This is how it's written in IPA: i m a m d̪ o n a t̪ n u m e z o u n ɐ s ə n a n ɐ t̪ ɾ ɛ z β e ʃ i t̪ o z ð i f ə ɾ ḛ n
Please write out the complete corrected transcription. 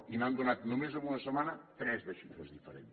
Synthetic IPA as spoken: i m a n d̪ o n a t̪ n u m e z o u n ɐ s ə m a n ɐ t̪ ɾ ɛ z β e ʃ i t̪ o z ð i f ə ɾ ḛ n

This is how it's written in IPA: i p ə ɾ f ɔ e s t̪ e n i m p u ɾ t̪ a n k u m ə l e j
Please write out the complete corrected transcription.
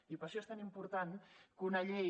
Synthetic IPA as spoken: i p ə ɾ ʃ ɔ e s t̪ a n i m p u ɾ t̪ a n k u n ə ʎ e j

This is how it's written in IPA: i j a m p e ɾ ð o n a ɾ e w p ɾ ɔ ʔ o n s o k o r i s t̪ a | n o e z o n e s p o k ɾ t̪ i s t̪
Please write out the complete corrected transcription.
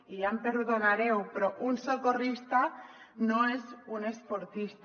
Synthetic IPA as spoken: i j a m p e ɾ ð o n a ɾ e w p ɾ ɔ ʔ u n s o k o r i s t̪ a | n o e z u n e s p o ɾ t̪ i s t̪

